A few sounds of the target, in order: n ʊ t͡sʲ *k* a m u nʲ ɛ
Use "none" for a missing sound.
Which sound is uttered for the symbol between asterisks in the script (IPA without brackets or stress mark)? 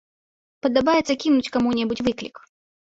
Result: k